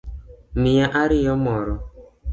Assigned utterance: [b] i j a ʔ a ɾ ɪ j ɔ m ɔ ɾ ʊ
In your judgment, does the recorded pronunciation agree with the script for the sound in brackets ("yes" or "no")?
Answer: no